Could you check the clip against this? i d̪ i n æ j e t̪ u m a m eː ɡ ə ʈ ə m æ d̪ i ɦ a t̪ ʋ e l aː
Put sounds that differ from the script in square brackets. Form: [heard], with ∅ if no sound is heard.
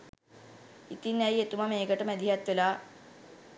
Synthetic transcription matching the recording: i [t̪] i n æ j e t̪ u m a m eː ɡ ə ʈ ə m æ d̪ i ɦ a t̪ ʋ e l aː